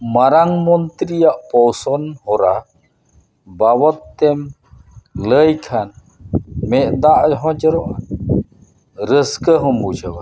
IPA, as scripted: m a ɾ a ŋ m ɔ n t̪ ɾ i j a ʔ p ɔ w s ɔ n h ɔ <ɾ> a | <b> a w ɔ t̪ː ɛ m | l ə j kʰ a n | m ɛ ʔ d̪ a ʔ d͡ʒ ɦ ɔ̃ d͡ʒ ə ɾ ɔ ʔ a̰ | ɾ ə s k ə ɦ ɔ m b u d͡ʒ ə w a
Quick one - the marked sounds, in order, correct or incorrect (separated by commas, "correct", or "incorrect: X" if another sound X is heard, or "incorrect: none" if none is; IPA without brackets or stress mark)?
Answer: correct, correct